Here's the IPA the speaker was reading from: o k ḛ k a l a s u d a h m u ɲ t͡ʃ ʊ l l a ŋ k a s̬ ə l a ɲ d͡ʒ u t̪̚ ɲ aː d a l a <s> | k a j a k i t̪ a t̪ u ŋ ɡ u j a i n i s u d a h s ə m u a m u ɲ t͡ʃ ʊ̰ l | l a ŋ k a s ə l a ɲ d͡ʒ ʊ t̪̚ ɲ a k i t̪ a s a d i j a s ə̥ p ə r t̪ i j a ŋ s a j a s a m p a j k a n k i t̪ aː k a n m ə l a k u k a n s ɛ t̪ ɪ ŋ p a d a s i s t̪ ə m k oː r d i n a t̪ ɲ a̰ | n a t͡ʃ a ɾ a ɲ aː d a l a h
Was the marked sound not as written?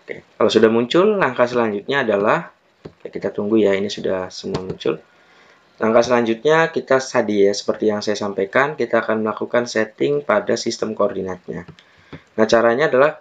yes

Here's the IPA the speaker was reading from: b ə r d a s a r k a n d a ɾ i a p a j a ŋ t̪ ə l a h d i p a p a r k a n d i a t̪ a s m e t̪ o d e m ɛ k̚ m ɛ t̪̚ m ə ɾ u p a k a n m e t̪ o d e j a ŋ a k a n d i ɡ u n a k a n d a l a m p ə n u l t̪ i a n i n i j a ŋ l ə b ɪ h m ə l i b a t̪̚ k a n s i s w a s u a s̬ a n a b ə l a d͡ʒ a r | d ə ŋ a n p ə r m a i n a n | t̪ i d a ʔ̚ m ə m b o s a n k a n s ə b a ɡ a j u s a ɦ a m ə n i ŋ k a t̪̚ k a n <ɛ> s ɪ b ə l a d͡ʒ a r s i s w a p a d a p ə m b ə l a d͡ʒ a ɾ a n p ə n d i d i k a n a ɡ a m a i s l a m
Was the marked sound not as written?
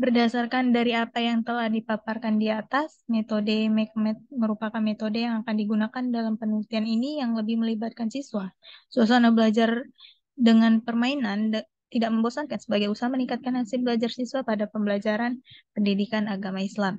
yes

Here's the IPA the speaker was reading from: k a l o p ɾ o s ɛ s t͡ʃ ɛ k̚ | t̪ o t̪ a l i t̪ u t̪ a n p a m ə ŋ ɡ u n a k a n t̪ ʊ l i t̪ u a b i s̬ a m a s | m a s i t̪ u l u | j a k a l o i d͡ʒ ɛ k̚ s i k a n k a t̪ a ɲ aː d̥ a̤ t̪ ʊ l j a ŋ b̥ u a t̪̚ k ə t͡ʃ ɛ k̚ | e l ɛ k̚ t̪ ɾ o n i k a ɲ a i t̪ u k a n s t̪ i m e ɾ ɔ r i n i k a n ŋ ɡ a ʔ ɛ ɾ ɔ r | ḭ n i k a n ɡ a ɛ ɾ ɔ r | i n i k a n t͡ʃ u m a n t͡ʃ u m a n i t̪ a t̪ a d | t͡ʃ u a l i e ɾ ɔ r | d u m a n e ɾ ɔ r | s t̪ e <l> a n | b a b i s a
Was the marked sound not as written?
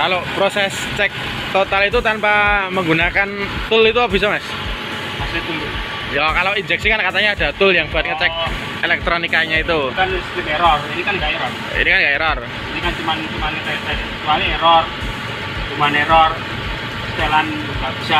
no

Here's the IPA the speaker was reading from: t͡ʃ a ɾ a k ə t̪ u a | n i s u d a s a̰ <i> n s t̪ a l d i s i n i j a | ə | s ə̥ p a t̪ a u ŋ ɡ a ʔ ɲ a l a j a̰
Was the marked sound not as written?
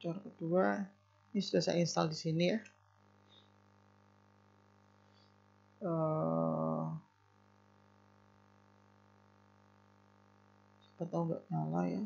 no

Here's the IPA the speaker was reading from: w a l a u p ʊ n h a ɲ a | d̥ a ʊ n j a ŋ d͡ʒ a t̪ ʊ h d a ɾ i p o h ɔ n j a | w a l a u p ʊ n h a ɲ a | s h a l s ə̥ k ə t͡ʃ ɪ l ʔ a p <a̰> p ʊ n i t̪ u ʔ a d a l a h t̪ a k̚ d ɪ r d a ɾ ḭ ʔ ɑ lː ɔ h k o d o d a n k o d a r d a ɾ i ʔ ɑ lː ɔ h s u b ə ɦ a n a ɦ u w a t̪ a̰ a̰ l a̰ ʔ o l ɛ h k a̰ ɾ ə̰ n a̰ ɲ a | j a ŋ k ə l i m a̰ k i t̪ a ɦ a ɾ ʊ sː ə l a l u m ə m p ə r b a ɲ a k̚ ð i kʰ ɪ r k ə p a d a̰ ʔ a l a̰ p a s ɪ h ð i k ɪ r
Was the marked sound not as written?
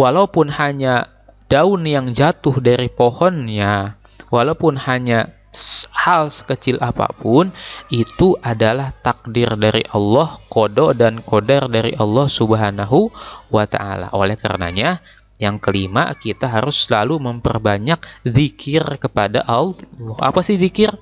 no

